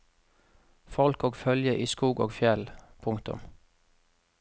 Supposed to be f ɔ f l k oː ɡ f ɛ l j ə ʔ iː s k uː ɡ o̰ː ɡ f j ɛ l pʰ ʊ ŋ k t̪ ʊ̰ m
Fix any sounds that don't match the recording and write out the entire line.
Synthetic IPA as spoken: f ɔ l k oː ɡ f œ l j ə ʔ iː s k uː ɡ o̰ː ɡ f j ɛ l pʰ ʊ ŋ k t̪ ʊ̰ m

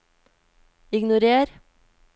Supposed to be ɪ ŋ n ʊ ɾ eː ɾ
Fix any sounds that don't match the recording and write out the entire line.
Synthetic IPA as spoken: ɪ ɡ n ʊ ɾ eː ɾ

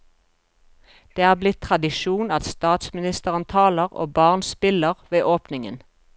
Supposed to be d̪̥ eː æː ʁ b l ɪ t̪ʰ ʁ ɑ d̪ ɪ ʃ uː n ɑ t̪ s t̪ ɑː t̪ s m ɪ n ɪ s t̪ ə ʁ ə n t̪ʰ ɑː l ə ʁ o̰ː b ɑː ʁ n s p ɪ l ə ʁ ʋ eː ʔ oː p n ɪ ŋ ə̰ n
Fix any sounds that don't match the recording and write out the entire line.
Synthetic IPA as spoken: d̪̥ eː æː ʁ b l ɪ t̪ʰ ʁ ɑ d̪ ɪ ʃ uː n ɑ t̪ s t̪ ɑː t̪ s m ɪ n ɪ s t̪ ə ʁ ə n t̪ʰ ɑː l ə ʁ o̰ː b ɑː ʁ n s p ɪ l ə ʁ ʋ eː ʔ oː p n ɪ ŋ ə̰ n

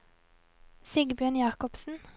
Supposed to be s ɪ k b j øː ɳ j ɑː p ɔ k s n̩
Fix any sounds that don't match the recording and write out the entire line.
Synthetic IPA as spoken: s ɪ ɡ b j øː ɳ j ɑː k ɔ p s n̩

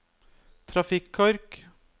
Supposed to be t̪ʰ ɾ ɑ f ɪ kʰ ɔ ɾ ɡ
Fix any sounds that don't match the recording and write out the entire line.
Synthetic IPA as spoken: t̪ʰ ɾ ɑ f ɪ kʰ ɔ ɾ k

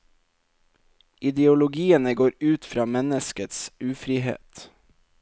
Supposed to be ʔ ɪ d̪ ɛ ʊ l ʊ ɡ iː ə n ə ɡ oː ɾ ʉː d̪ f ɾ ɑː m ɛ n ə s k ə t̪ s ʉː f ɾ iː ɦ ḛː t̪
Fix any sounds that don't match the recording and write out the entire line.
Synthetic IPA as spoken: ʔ ɪ d̪ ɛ ʊ l ʊ ɡ iː ə n ə ɡ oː ɾ ʉː t̪ f ɾ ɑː m ɛ n ə s k ə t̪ s ʉː f ɾ iː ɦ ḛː t̪

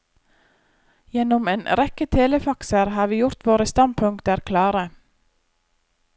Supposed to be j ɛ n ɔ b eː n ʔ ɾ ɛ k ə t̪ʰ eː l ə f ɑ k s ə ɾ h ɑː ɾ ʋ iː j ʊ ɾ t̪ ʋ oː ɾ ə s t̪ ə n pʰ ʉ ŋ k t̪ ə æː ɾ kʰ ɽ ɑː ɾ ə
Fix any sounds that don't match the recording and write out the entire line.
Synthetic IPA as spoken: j ɛ n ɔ m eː n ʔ ɾ ɛ k ə t̪ʰ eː l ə f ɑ k s ə ɾ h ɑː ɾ ʋ iː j ʊ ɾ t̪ ʋ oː ɾ ə s t̪ ɑ n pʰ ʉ ŋ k t̪ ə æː ɾ kʰ l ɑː ɾ ə

